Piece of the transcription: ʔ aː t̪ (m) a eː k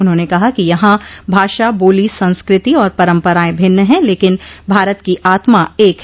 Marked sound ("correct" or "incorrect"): correct